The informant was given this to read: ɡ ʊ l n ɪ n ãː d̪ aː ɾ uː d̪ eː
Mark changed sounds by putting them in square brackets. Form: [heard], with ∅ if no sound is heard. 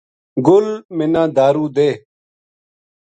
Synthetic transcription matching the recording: ɡ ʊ l [m] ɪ n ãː d̪ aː ɾ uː d̪ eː